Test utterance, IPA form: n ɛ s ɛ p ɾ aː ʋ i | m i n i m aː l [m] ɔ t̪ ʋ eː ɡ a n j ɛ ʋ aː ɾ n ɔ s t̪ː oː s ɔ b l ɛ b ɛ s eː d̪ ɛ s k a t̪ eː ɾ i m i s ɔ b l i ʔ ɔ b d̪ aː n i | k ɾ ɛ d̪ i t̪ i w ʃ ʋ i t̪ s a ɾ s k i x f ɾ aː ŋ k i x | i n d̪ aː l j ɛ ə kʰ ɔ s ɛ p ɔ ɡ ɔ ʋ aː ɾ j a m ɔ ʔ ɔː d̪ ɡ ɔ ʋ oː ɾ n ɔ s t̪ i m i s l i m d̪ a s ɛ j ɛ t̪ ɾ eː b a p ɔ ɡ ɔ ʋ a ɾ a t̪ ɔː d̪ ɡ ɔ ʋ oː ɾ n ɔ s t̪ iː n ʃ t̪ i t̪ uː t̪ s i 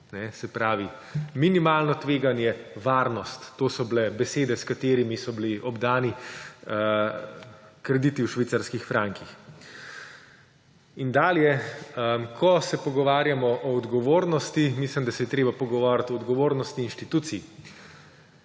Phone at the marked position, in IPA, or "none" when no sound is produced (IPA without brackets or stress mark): n